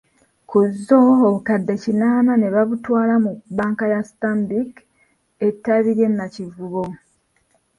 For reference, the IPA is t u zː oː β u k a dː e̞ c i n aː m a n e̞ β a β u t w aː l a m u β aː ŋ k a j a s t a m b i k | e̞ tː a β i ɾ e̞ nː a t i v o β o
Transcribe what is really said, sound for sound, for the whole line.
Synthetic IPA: k u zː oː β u k a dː e̞ c i n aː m a n e̞ β a β u t w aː l a m u b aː ŋ k a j a s t a m b i k | e̞ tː a β i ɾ e̞ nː a c i v u β o

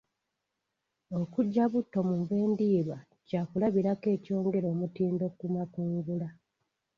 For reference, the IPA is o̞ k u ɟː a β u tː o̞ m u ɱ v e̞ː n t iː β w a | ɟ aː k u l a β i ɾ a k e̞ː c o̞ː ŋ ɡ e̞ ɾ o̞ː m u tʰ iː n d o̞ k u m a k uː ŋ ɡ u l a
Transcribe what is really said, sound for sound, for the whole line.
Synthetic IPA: o̞ k u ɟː a β u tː o̞ m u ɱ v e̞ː n d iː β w a | c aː k u l a β i ɾ a k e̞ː c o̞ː ŋ ɡ e̞ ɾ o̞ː m u t iː n d o̞ k u m a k uː ŋ ɡ u l a

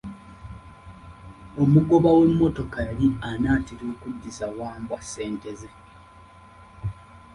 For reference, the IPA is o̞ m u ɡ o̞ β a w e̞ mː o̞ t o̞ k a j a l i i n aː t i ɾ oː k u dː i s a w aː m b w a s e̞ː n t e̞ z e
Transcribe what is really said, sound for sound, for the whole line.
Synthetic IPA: o̞ m u ɡ o̞ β a w e̞ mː o̞ t o̞ k a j a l i a n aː t i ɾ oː k u dː i s a w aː m b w a s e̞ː n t e̞ z e

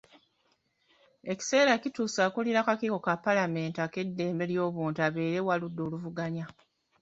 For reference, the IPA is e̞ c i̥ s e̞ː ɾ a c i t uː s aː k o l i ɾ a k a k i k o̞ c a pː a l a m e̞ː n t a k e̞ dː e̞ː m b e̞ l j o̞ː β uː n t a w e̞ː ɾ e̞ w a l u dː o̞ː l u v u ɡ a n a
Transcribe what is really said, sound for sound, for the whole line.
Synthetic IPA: e̞ c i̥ s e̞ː ɾ a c i t uː s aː k u l i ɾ a k a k i k o̞ k a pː a l a m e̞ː n t a k e̞ dː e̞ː m b e̞ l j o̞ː β uː n t a β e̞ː ɾ e̞ w a l u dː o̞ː l u v u ɡ a ɲ a

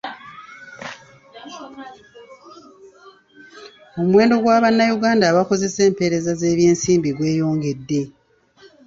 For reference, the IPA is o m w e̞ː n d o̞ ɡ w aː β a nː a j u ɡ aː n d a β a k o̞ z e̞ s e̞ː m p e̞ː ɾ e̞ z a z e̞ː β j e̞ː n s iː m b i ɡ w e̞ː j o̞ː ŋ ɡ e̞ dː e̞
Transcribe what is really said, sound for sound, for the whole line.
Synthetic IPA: o m w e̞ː n d o̞ ɡ w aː β a nː a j u ɡ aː n d a β a k o̞ z e̞ s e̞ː m p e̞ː ɾ e̞ z a z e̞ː β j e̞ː n s iː m b i ɡ w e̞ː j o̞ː ŋ ɡ e̞ dː e̞

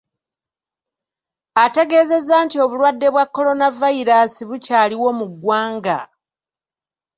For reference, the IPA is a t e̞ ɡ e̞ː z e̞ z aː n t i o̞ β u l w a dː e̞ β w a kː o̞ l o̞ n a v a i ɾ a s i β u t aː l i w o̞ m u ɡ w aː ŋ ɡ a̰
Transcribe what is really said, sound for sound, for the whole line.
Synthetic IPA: a t e̞ ɡ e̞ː z e̞ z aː n t i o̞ β u l w a dː e̞ β w a kː o̞ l o̞ n a v a i ɾ a s i β u c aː l i w o̞ m u ɡ w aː ŋ ɡ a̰

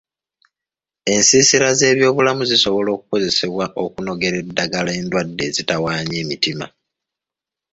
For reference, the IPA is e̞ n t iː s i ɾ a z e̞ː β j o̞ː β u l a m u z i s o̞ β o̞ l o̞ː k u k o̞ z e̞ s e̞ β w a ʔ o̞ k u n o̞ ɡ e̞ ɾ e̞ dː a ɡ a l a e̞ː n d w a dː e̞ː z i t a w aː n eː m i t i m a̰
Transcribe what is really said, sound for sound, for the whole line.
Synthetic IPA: e̞ n s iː s i ɾ a z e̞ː β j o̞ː β u l a m u z i s o̞ β o̞ l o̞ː k u k o̞ z e̞ s e̞ β w a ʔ o̞ k u n o̞ ɡ e̞ ɾ e̞ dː a ɡ a l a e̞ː n d w a dː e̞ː z i t a w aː ɲ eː m i t i m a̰

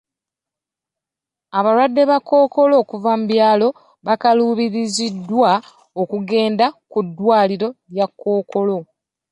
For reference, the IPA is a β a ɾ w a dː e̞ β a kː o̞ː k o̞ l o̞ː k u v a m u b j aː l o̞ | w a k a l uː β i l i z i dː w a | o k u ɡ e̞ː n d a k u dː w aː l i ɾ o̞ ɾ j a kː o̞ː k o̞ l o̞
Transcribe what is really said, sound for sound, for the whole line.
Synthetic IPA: a β a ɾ w a dː e̞ β a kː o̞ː k o̞ l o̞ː k u v a m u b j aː l o̞ | β a k a l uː β i ɾ i z i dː w a | o k u ɡ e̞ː n d a k u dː w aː l i ɾ o̞ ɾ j a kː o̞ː k o̞ l o̞

